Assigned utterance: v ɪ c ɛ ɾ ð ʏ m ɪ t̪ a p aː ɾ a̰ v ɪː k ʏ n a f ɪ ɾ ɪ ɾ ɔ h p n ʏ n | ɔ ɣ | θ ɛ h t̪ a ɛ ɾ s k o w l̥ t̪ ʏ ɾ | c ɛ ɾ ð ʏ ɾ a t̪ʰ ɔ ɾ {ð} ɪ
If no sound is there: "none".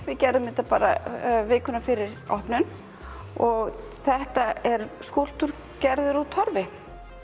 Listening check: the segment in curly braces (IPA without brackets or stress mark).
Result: v